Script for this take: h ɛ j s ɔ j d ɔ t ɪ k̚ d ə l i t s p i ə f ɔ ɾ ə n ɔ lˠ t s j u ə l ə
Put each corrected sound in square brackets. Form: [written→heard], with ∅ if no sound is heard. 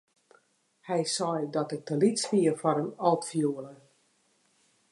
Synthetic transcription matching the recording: h ɛ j s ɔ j d ɔ t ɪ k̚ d ə l i t s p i ə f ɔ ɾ ə n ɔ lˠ t [s→f] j u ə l ə